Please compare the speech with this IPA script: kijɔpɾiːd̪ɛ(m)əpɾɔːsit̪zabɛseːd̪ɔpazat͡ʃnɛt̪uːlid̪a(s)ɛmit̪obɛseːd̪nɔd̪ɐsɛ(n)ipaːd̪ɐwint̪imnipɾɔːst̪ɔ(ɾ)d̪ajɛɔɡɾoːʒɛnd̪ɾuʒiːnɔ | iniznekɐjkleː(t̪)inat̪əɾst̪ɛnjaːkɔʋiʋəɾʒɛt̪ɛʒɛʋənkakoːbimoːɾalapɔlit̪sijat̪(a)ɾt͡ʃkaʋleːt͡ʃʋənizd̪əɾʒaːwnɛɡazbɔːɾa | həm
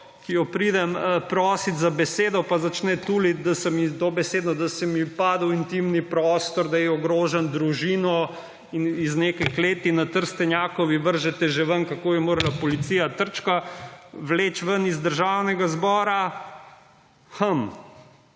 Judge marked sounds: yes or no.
yes, yes, no, yes, yes, no

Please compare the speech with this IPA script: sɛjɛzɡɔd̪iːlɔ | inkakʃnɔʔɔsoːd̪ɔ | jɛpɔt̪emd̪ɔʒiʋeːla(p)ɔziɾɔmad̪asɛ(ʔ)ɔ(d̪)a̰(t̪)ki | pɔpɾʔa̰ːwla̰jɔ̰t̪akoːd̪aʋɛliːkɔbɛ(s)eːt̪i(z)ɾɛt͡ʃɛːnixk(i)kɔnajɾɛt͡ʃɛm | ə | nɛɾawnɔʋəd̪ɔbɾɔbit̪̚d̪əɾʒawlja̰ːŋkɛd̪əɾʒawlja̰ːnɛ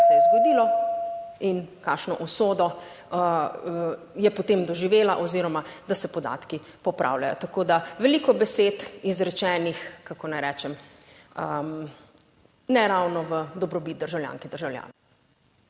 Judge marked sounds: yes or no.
no, no, yes, yes, yes, yes, no

